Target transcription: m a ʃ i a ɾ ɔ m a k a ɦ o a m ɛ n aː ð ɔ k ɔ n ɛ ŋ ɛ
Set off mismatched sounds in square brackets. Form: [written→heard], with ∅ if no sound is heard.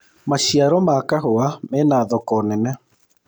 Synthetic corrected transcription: m a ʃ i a ɾ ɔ m a k a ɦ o a m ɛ n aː ð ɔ k ɔ n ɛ [ŋ→n] ɛ